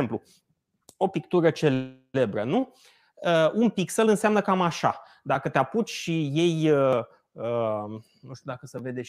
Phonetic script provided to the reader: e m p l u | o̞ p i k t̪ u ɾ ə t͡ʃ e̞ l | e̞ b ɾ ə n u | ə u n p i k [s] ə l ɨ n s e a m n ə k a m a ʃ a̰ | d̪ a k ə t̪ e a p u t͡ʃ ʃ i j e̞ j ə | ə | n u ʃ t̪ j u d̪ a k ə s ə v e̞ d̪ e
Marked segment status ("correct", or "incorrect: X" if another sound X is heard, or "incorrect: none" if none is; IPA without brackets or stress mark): correct